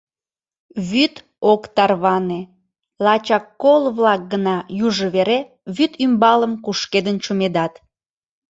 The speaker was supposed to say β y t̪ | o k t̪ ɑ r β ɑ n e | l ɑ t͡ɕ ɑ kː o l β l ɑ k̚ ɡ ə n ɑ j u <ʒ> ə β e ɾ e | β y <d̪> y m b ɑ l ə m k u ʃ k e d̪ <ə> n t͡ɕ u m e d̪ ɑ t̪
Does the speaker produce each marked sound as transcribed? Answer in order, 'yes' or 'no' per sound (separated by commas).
yes, no, yes